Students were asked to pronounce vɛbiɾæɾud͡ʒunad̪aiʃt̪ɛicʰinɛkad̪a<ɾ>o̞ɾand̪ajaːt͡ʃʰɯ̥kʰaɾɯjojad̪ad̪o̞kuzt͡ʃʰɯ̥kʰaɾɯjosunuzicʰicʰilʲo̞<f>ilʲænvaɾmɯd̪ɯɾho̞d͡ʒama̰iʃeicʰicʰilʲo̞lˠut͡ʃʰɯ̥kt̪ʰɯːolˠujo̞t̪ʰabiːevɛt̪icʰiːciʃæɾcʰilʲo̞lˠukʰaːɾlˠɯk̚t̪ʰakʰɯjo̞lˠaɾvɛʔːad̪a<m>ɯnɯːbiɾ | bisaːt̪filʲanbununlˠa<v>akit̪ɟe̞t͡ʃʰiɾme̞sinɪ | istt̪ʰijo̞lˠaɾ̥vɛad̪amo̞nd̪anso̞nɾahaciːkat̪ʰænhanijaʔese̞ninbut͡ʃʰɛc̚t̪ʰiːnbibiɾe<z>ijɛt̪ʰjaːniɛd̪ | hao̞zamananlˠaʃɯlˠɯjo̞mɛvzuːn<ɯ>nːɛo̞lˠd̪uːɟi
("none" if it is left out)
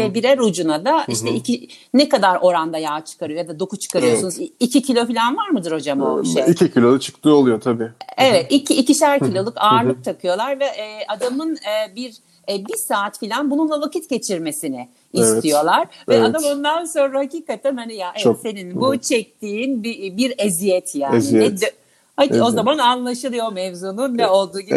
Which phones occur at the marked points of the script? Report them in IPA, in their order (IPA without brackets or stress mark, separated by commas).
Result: ɾ, f, m, v, z, u